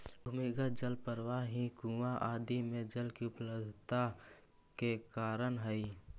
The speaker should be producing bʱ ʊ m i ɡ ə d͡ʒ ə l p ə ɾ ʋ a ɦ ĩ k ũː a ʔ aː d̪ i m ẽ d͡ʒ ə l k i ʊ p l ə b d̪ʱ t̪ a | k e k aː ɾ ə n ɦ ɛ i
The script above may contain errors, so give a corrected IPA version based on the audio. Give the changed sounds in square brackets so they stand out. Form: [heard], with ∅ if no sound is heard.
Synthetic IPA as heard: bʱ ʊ m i ɡ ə d͡ʒ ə l p ə ɾ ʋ a ɦ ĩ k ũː a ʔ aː d̪ i m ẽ d͡ʒ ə l k i ʊ p l ə b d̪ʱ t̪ a | k e k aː ɾ ə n ɦ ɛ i